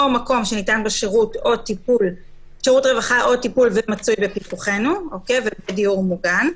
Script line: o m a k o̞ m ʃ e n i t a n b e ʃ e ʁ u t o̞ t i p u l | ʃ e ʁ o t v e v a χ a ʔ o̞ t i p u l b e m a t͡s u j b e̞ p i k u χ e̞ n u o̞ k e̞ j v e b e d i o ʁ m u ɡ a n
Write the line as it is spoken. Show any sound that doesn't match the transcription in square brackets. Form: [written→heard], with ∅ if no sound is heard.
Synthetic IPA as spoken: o m a k o̞ m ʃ e n i t a n b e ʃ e ʁ u t o̞ t i p u l | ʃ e ʁ [o→u] t [v→ʁ] e v a χ a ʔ o̞ t i p u l [b→v] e m a t͡s u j b e̞ p i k u χ e̞ n u o̞ k e̞ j v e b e d i [o→u] ʁ m u ɡ a n